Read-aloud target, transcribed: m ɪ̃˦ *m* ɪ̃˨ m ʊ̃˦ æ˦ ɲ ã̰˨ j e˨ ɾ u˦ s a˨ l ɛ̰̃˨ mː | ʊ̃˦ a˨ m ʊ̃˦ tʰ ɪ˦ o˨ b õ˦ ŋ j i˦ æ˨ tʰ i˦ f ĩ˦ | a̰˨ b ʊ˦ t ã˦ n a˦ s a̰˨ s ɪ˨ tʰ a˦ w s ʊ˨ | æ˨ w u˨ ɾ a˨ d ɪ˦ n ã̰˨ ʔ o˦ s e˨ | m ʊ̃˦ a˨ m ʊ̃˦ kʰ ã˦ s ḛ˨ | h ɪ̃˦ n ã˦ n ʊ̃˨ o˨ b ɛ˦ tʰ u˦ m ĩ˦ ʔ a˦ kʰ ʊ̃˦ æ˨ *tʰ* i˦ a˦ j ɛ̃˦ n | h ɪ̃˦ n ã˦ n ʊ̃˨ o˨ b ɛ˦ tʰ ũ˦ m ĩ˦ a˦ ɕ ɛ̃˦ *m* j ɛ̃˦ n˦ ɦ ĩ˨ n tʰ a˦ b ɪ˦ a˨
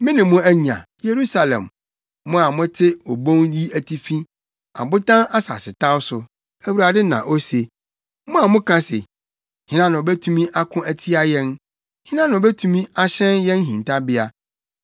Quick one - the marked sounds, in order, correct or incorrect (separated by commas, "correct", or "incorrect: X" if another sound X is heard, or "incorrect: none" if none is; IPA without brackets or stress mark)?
incorrect: n, correct, incorrect: n